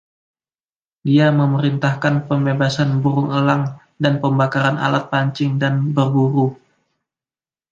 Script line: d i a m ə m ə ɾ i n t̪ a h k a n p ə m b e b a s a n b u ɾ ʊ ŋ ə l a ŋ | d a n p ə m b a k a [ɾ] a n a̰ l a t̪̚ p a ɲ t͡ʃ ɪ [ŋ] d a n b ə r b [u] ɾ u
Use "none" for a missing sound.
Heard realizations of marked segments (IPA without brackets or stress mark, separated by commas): ɾ, ŋ, u